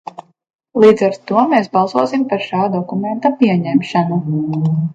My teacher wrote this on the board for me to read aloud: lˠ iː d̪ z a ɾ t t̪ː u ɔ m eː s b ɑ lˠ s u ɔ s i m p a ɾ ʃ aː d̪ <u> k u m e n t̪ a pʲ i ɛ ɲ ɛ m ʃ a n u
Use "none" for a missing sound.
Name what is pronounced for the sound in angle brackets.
ɔ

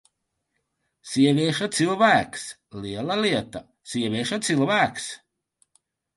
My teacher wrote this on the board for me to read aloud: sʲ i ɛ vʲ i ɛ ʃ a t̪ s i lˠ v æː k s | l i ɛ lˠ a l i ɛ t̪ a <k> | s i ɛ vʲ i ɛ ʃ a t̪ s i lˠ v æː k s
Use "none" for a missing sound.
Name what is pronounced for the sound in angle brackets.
none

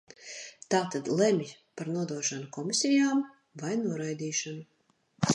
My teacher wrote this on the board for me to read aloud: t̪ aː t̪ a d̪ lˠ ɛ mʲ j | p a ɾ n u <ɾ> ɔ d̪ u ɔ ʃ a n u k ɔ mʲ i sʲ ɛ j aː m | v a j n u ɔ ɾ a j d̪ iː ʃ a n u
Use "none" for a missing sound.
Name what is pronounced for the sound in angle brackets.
none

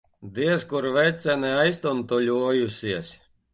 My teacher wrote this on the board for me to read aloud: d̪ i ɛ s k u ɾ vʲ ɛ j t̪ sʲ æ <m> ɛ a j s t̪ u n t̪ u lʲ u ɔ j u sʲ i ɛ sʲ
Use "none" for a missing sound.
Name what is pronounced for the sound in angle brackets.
n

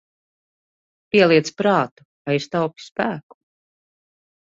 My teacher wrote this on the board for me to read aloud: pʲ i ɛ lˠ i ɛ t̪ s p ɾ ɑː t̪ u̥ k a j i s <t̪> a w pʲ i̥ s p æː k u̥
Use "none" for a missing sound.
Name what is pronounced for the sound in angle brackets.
t̪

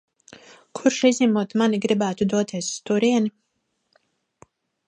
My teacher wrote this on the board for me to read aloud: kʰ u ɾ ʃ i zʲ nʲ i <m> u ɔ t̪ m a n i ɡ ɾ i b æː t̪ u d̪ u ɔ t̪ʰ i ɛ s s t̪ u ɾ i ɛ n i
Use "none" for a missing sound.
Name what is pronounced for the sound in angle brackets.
m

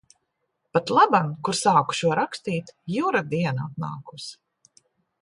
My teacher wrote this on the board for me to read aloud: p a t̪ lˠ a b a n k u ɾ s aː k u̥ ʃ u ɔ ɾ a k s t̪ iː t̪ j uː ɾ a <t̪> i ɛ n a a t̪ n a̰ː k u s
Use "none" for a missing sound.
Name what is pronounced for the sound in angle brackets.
d̪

